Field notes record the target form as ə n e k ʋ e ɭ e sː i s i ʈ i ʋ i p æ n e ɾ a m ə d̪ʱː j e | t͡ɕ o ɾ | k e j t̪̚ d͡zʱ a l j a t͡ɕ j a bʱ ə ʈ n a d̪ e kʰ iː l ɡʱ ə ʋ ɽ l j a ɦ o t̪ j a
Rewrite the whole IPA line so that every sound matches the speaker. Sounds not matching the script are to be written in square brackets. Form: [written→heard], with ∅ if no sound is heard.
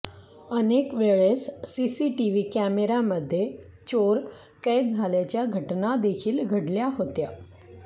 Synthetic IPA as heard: ə n e k ʋ e ɭ e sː i s i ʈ i ʋ i [p→k] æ [n→m] e ɾ a m ə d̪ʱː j e | t͡ɕ o ɾ | k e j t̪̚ d͡zʱ a l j a t͡ɕ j a [bʱ→ɡʱ] ə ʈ n a d̪ e kʰ iː l ɡʱ ə [ʋ→∅] ɽ l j a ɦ o t̪ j a